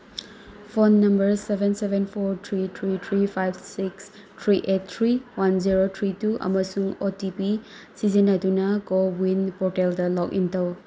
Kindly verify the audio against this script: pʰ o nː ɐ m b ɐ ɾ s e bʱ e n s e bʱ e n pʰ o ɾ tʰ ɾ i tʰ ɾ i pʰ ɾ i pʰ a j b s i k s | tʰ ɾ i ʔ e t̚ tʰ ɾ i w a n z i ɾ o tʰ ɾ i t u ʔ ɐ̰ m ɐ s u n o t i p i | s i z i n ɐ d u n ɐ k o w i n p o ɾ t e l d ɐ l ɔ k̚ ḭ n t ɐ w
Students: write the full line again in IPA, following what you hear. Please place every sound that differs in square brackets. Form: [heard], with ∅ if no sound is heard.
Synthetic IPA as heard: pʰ o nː ɐ m b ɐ ɾ s e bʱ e n s e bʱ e n pʰ o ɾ tʰ ɾ i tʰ ɾ i [tʰ] ɾ i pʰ a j b s i k s | tʰ ɾ i ʔ e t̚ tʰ ɾ i w a n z i ɾ o tʰ ɾ i t u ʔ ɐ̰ m ɐ s u [ŋ] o t i p i | s i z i n ɐ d u n ɐ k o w i n p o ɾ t e l d ɐ l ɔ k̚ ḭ n t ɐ w